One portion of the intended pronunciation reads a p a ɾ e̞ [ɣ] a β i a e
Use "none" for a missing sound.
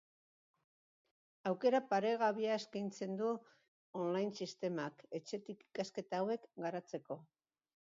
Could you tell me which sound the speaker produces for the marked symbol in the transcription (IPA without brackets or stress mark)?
ɣ